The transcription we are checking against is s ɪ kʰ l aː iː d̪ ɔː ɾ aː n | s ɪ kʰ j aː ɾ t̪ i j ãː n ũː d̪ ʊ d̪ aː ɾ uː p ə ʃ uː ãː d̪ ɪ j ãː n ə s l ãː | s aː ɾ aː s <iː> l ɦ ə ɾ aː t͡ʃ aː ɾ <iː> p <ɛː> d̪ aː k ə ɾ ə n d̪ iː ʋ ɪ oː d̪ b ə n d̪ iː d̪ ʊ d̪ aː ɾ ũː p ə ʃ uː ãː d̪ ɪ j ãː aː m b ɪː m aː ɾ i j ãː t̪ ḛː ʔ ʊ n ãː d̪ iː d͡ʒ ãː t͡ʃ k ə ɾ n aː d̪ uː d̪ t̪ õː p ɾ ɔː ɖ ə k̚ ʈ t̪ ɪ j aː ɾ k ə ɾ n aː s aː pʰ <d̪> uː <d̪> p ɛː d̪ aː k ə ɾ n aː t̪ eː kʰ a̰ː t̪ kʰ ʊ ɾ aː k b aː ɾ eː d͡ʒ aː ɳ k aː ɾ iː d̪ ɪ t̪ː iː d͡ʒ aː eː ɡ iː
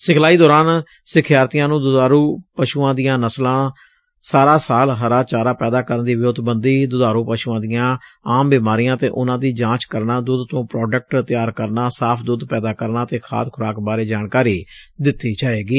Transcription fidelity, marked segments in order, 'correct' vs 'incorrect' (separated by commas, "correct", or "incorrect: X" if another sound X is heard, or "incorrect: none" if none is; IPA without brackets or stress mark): incorrect: aː, incorrect: aː, correct, correct, correct